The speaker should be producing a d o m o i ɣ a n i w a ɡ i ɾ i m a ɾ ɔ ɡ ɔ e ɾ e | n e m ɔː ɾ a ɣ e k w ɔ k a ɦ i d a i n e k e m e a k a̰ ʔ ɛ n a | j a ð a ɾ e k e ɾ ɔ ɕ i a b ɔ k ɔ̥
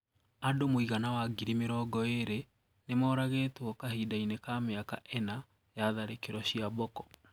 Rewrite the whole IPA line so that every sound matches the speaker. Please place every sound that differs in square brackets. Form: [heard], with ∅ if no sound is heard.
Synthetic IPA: a d o m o i ɣ a n [a] w a ɡ i ɾ i m [e] ɾ ɔ ɡ ɔ e ɾ e | n e m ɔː ɾ a ɣ e [t] w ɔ k a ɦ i d a i n e k [a] m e a k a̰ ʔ ɛ n a | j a ð a ɾ e k e ɾ ɔ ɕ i a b ɔ k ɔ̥